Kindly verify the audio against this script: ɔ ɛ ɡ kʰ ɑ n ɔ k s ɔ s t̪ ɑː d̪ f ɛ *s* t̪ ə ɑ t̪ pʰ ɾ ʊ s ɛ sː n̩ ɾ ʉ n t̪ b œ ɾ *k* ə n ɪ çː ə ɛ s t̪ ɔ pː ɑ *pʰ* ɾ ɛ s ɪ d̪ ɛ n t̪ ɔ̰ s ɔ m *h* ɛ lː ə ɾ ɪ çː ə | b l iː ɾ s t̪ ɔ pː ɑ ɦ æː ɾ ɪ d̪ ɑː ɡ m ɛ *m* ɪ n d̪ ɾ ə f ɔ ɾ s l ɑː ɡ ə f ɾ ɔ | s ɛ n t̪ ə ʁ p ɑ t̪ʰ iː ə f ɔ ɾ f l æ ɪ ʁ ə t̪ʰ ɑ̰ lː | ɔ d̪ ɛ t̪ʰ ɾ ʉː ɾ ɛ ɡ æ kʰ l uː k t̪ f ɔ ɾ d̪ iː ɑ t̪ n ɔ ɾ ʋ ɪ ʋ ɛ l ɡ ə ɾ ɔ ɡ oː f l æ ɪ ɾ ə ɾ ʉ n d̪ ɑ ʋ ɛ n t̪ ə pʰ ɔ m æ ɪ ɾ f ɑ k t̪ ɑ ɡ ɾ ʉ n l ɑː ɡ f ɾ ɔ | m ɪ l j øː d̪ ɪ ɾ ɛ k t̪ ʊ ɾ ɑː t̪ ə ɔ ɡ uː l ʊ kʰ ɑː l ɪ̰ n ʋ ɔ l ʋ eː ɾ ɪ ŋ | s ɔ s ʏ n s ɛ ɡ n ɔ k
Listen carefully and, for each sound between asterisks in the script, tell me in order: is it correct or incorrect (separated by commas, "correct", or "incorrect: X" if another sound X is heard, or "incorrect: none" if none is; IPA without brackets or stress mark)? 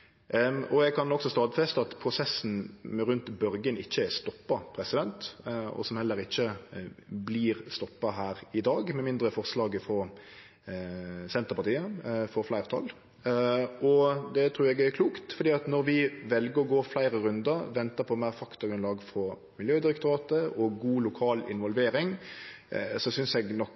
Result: correct, incorrect: ɡ, correct, correct, correct